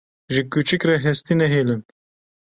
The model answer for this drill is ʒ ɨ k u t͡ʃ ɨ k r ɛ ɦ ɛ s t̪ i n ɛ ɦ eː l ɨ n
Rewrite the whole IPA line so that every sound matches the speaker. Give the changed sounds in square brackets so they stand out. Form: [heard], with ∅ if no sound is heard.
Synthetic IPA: ʒ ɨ k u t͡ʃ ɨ k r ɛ ɦ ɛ s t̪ i n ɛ ɦ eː l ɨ n